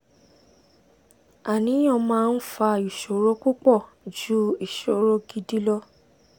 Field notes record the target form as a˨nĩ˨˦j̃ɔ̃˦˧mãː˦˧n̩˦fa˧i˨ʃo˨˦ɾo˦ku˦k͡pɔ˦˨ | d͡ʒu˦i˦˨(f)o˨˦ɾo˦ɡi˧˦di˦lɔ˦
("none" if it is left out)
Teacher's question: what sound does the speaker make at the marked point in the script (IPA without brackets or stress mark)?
ʃ